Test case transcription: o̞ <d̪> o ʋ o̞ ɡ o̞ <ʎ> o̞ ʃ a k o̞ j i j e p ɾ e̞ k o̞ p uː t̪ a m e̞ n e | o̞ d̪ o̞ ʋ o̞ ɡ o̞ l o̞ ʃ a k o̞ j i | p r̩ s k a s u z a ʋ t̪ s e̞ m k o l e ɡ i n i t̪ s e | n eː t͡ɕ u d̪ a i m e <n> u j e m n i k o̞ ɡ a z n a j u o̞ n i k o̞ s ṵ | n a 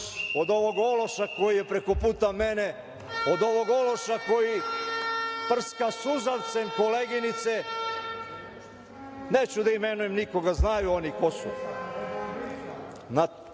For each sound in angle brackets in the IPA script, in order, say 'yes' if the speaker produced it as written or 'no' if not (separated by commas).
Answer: yes, no, yes